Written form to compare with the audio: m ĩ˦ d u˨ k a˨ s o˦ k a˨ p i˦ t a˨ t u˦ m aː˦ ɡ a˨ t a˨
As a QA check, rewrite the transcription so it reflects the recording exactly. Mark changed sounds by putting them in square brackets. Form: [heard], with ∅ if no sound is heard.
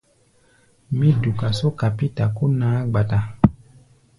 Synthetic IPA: m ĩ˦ d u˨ k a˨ s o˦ k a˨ p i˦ t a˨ [k] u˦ [n] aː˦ [ɡ͡b] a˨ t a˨